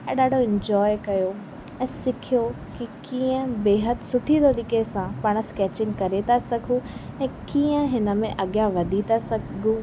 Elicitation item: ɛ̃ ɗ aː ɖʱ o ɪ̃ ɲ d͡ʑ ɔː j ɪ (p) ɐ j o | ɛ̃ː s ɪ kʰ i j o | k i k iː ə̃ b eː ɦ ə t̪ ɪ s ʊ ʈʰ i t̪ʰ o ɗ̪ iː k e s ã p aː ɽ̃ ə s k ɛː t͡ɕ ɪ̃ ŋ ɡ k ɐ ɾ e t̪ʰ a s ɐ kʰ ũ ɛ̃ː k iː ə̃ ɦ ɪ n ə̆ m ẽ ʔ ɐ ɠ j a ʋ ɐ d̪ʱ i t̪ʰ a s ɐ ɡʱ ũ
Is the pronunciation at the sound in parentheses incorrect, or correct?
incorrect